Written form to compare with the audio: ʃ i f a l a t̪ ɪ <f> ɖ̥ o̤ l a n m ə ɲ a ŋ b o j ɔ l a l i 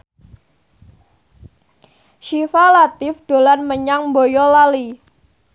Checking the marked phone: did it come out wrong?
no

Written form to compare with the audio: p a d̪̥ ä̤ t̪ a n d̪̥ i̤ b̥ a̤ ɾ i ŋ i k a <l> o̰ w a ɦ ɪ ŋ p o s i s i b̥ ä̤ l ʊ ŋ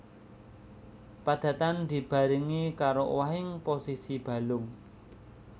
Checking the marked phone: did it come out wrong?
yes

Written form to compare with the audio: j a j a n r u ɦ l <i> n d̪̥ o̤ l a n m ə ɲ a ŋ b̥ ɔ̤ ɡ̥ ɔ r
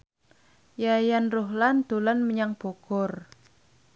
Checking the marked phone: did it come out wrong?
yes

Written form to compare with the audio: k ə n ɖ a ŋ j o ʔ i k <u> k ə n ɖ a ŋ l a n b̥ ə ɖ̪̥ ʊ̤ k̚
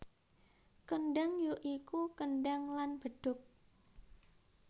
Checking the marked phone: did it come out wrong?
no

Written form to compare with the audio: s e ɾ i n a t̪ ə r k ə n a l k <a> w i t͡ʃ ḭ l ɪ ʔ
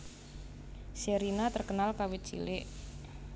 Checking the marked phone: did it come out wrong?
no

